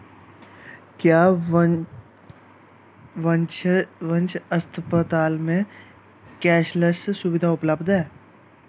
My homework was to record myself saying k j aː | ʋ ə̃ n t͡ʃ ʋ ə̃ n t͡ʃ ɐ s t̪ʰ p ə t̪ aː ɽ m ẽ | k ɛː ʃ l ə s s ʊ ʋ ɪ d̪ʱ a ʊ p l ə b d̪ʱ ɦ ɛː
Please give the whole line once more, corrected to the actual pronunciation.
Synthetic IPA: k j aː | ʋ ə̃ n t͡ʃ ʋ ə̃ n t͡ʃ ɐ s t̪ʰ p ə t̪ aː l m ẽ | k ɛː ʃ l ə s s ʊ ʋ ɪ d̪ʱ a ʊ p l ə b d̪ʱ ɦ ɛː